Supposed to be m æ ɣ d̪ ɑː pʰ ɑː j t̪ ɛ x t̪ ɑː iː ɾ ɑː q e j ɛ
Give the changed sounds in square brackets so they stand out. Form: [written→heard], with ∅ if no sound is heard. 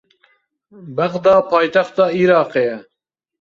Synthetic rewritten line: [m→b] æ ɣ d̪ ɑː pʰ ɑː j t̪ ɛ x t̪ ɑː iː ɾ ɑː q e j ɛ